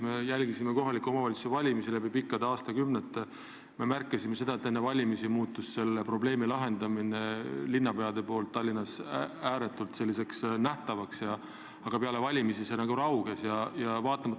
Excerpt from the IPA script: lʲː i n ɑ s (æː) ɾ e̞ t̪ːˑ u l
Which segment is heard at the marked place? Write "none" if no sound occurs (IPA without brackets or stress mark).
æː